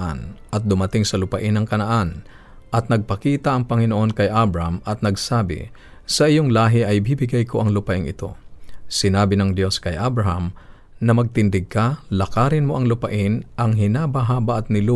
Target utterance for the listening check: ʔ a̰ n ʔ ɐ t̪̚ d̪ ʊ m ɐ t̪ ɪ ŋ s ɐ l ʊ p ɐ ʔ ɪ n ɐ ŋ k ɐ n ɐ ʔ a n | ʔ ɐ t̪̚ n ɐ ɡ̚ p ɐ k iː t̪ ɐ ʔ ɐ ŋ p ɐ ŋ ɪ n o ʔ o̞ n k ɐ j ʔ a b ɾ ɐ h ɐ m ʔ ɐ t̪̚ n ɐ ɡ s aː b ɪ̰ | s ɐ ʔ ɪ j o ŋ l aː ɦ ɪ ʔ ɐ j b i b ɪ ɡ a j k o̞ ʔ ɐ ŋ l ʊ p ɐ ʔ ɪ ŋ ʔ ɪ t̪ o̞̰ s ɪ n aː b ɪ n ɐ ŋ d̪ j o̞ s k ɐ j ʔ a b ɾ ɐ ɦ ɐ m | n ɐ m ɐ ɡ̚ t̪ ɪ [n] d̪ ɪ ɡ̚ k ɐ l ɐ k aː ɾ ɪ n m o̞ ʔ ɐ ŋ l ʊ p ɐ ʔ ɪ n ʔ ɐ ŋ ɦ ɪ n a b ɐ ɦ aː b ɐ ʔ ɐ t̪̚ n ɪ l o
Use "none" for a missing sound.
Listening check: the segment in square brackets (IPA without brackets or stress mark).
n